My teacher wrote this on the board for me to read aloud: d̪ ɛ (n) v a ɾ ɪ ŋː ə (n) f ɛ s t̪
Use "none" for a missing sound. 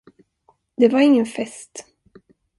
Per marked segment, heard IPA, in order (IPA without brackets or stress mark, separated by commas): none, n